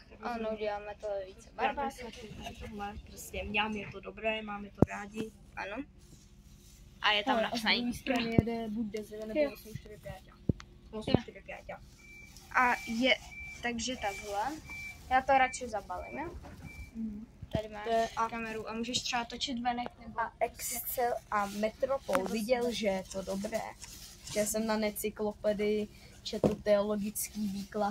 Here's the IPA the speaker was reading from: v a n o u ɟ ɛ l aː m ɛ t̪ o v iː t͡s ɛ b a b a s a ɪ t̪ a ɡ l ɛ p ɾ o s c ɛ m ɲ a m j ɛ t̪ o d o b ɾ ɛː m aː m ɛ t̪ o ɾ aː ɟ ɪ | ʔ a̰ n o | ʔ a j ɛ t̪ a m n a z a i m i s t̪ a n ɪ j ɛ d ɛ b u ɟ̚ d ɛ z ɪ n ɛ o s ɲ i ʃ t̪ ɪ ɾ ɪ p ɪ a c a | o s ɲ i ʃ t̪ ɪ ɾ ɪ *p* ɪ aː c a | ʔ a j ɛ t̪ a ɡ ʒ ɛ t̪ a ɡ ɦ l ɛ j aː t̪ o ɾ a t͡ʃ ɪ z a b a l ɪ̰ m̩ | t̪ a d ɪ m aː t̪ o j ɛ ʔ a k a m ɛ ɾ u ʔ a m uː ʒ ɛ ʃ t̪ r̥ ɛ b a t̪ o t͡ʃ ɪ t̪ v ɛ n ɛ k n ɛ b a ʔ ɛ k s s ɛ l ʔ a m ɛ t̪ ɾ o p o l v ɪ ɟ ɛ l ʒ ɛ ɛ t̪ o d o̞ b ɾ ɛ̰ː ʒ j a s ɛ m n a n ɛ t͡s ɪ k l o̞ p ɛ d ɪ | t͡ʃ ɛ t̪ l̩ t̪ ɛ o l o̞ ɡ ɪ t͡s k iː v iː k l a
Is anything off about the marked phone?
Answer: no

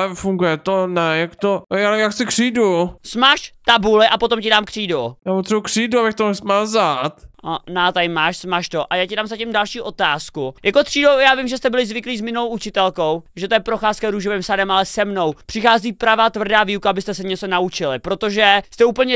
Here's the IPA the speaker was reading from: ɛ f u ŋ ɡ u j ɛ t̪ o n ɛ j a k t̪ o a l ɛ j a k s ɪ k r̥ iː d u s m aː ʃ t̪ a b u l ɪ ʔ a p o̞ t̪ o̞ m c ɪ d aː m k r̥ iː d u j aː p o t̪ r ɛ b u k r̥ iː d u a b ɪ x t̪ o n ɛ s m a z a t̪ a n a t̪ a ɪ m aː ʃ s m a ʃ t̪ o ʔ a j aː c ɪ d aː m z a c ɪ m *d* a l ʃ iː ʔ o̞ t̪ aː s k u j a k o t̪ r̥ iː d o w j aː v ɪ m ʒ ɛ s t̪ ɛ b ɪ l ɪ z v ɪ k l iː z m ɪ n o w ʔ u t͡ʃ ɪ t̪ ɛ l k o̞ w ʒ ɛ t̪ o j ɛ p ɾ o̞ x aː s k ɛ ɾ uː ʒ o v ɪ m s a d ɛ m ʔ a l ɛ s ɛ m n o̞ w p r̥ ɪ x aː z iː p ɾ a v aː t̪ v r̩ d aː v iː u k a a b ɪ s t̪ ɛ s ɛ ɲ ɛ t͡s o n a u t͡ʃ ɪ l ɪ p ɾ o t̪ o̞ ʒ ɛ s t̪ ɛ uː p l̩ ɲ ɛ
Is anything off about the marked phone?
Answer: no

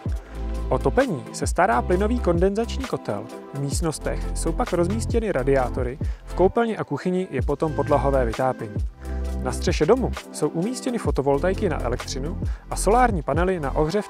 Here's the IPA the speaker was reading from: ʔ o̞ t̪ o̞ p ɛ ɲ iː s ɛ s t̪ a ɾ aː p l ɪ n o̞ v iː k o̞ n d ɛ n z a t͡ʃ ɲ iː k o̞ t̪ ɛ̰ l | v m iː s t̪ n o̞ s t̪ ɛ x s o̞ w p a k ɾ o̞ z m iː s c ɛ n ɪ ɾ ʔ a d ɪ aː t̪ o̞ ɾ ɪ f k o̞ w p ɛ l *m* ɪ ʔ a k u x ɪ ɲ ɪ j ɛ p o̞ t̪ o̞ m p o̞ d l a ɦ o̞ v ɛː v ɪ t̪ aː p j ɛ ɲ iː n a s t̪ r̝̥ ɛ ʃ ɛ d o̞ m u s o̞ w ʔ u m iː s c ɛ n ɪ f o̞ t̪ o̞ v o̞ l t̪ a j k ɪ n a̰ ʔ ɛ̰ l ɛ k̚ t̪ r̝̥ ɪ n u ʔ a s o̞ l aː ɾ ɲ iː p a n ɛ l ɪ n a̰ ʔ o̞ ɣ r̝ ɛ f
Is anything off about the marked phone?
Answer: yes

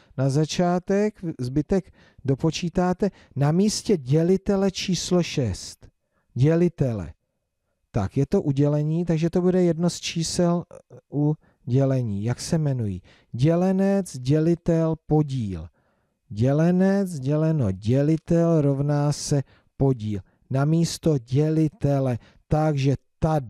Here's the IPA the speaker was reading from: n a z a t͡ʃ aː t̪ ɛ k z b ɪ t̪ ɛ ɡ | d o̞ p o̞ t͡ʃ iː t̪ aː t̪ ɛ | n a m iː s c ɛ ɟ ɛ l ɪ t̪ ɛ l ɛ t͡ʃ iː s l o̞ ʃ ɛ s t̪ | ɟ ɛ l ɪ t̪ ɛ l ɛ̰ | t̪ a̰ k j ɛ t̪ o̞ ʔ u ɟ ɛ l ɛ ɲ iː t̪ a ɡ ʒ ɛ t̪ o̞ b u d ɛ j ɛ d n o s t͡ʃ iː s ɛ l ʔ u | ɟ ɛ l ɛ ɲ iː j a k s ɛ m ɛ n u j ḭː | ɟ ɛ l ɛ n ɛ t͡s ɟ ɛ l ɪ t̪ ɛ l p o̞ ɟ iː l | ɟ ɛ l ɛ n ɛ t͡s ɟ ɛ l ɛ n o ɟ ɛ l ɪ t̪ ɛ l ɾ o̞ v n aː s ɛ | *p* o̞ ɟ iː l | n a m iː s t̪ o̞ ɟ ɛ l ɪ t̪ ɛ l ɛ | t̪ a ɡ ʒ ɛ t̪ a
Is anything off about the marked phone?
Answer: no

